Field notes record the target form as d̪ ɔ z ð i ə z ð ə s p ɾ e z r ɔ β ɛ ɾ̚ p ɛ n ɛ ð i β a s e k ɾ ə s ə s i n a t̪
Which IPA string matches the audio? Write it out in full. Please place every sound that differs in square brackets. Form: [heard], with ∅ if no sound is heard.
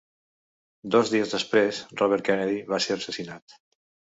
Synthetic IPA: d̪ ɔ z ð i ə z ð ə s p ɾ e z r ɔ β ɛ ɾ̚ [k] ɛ n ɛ ð i β a s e [∅] ɾ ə s ə s i n a t̪